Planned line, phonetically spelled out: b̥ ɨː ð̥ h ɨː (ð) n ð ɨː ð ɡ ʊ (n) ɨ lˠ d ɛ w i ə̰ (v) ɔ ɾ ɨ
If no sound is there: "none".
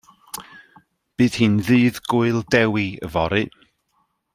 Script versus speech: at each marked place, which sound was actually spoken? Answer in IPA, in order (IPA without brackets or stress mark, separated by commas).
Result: none, none, v